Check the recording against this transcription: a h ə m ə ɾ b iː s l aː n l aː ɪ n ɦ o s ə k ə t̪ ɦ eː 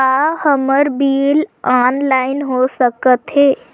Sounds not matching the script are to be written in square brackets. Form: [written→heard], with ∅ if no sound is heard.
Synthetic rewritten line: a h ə m ə ɾ b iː [s→∅] l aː n l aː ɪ n ɦ o s ə k ə t̪ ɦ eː